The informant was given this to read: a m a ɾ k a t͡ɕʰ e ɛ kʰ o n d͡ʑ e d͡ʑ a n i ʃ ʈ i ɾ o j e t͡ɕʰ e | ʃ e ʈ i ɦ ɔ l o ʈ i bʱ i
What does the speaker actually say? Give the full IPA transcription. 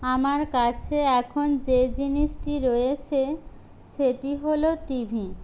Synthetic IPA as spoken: a m a ɾ k a t͡ɕʰ e ɛ kʰ o n d͡ʑ e d͡ʑ i n i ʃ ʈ i ɾ o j e t͡ɕʰ e | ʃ e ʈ i ɦ o l o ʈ i bʱ i